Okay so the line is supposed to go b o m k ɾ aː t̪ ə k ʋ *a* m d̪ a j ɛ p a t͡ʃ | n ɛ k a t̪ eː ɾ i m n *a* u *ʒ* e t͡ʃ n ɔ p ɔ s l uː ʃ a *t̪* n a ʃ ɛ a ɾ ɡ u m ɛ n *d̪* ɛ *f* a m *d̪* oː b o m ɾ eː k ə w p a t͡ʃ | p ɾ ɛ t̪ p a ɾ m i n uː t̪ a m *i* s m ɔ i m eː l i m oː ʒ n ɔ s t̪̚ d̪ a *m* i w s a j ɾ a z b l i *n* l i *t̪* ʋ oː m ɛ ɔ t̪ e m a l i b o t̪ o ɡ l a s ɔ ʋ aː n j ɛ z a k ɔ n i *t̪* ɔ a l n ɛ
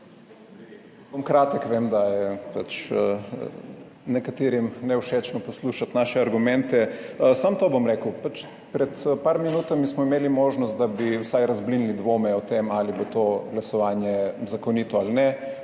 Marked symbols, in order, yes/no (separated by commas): no, no, no, yes, no, no, no, yes, no, yes, no, yes